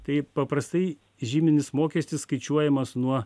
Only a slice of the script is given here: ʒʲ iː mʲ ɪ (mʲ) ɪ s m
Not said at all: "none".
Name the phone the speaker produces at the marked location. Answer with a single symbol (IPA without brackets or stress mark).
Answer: nʲ